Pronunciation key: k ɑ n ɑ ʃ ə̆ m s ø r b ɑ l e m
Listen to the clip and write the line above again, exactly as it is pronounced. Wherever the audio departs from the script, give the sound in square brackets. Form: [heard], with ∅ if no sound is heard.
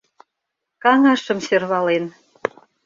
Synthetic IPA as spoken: k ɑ [ŋ] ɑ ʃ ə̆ m s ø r [β] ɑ l e [n]